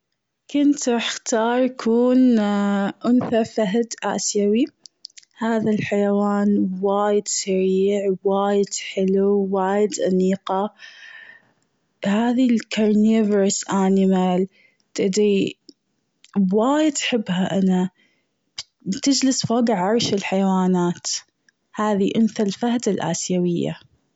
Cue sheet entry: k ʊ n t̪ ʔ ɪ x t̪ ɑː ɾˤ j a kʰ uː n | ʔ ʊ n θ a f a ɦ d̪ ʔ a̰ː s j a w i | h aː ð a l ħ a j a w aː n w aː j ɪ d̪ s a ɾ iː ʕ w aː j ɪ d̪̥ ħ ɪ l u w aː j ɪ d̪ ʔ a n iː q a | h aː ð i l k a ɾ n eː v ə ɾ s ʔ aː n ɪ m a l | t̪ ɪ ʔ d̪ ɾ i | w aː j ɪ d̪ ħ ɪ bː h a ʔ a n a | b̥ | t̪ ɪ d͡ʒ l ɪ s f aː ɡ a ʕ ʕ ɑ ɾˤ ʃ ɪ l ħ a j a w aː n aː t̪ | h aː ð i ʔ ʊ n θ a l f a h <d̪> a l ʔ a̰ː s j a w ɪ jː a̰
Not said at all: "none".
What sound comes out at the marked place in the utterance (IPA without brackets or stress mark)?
d̪